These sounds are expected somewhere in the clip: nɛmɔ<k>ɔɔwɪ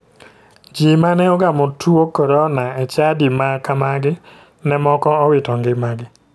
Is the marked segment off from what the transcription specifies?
no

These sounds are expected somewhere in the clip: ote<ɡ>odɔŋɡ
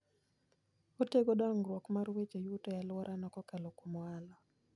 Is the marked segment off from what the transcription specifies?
no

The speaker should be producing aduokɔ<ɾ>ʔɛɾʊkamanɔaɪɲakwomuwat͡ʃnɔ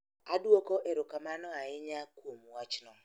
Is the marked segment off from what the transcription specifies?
yes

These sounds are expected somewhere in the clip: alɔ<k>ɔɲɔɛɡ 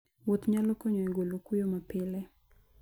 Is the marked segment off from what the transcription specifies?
no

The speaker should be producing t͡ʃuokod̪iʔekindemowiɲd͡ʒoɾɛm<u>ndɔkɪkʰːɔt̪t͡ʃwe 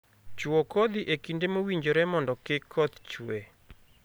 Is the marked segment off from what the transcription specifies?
yes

